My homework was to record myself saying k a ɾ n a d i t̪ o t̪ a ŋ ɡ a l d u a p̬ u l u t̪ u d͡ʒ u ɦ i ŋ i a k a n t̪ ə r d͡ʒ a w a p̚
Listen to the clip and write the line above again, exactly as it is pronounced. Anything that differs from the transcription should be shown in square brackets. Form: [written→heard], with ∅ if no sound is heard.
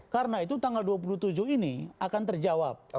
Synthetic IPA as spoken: k a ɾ n a [d→∅] i t̪ [o→u] t̪ a ŋ ɡ a l d u a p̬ u l u t̪ u d͡ʒ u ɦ i [ŋ→n] i a k a n t̪ ə r d͡ʒ a w a p̚

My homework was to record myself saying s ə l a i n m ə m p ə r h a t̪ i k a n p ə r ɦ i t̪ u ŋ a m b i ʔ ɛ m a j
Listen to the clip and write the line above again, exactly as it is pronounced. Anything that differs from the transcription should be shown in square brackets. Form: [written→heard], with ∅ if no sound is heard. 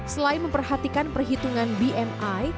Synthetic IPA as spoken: s ə l a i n m ə m p ə r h a t̪ i k a n p ə r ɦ i t̪ u ŋ a [m→n] b i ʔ ɛ m a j

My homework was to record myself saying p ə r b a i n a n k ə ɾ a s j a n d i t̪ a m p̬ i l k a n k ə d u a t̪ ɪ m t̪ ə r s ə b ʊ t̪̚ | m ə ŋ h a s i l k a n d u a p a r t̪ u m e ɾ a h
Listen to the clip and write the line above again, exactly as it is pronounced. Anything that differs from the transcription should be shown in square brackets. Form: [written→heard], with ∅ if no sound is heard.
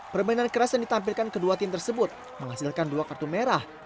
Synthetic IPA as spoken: p ə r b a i n a n k ə ɾ a s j a n d i t̪ a m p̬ i l k a n k ə d u a t̪ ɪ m t̪ ə r s ə b ʊ t̪̚ | m ə ŋ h a s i l k a n d u a [p→k] a r t̪ u m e ɾ a h

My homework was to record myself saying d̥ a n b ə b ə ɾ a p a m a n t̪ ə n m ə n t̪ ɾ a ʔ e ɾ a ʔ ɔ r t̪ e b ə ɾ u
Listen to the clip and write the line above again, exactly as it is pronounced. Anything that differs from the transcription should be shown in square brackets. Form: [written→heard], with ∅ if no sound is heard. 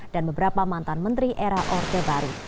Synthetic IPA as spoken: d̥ a n b ə b ə ɾ a p a m a n t̪ [ə→a] n m ə n t̪ ɾ [a→i] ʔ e ɾ a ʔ ɔ r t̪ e b [ə→a] ɾ u

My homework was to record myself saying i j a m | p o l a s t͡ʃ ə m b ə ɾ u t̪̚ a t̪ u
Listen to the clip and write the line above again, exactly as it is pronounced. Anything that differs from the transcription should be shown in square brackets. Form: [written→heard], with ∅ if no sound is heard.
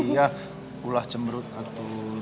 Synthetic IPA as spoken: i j a [m→∅] | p [o→u] l a [s→h] t͡ʃ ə m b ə ɾ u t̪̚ a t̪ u

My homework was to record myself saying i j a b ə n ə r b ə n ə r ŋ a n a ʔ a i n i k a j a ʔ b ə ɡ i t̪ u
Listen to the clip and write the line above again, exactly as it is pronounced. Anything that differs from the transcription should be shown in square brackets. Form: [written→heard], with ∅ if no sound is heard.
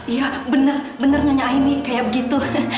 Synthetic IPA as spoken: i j a b ə n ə r b ə n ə r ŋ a [n→ɲ] a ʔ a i n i k a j a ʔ b ə ɡ i t̪ u

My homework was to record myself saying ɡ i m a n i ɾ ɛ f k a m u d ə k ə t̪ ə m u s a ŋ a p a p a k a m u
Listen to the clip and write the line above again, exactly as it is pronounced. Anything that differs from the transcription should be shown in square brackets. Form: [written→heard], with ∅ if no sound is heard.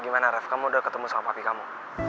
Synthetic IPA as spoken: ɡ i m a n [i→a] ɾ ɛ f k a m u d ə k ə t̪ ə m u s a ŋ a p a p [a→i] k a m u

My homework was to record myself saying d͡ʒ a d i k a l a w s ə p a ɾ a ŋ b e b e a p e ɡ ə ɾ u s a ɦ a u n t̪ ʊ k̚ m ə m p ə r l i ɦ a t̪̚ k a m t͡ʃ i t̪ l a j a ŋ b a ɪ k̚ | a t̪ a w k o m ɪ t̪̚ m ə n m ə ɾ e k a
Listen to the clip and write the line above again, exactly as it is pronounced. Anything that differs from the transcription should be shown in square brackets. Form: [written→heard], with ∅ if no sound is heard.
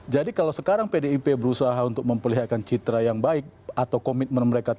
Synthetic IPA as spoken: d͡ʒ a d i k a l a w s ə [p→k] a ɾ a ŋ [b→p] e [b→d] e [a→i] p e [ɡ→b] ə ɾ u s a ɦ a u n t̪ ʊ k̚ m ə m p ə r l i ɦ a t̪̚ k a [m→n] t͡ʃ i t̪ [l→ɾ] a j a ŋ b a ɪ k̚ | a t̪ a w k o m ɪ t̪̚ m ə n m ə ɾ e k a

